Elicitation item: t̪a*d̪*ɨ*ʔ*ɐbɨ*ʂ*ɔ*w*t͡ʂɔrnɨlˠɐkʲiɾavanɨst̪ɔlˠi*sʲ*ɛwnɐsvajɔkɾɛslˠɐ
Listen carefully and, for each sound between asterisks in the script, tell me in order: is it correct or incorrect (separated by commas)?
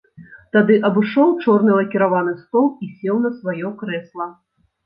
correct, correct, correct, correct, correct